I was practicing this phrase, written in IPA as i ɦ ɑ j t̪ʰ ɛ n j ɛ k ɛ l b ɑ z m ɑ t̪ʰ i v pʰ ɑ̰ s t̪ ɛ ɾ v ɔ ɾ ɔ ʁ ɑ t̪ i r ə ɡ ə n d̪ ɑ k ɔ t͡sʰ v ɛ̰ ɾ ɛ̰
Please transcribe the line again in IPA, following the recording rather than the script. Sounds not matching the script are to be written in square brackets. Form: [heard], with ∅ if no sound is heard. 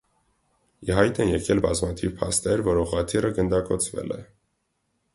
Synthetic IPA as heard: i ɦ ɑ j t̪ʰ ɛ n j ɛ k ɛ l b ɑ z m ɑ t̪ʰ i v pʰ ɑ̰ s t̪ ɛ ɾ v ɔ ɾ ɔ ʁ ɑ [t̪ʰ] i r ə ɡ ə n d̪ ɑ k ɔ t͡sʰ v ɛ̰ [l] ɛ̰